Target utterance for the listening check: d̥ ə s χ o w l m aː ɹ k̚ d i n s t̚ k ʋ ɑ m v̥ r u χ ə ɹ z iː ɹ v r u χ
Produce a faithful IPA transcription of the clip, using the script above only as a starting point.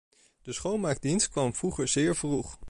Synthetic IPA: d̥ ə s χ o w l m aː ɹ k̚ d i n s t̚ k ʋ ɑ m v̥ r u χ ə ɹ z ɪː ɹ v r u χ